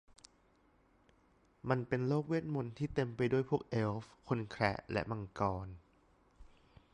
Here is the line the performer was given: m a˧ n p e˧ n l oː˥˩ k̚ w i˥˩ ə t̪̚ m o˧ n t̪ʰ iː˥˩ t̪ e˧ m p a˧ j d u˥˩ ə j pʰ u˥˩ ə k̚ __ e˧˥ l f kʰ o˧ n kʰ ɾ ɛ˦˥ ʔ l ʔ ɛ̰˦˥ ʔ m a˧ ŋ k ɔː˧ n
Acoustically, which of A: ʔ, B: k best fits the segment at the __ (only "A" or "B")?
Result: A